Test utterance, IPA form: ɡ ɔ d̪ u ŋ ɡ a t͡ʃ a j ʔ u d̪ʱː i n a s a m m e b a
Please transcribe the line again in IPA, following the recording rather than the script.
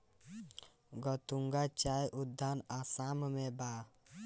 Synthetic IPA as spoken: ɡ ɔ t̪ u ŋ ɡ a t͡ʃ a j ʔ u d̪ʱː a n a s a m m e b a